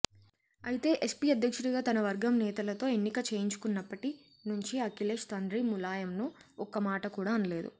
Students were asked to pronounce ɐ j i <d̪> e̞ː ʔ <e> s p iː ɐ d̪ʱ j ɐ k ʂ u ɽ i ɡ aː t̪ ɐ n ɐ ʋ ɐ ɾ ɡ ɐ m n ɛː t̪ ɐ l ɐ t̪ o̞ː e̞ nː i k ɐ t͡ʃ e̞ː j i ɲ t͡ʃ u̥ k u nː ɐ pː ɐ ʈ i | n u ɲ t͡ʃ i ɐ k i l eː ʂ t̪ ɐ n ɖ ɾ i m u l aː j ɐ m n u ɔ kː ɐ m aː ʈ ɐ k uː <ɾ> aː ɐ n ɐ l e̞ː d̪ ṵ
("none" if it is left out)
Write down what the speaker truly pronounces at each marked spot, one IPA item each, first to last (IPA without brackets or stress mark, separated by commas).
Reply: t̪, e, ɽ